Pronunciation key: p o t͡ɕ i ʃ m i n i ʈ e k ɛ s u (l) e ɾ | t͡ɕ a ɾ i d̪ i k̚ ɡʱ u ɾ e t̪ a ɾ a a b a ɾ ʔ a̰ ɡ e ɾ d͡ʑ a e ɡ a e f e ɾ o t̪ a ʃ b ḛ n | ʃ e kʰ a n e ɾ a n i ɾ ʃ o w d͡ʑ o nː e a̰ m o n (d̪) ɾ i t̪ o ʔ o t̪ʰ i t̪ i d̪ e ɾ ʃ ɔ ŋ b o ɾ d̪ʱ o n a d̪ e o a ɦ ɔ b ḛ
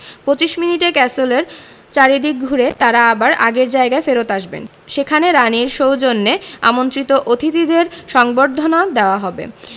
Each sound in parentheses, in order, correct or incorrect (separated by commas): correct, incorrect